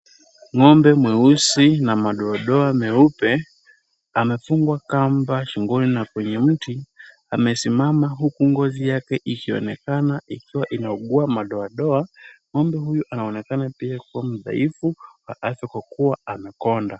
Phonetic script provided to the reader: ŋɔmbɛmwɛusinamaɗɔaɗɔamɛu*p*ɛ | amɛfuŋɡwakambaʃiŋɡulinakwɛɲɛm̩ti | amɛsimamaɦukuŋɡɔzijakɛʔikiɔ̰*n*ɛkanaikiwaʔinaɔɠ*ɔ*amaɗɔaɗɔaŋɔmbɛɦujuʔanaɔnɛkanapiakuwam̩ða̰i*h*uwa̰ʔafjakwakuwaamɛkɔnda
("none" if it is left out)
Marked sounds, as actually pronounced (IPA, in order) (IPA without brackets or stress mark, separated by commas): p, n, u, f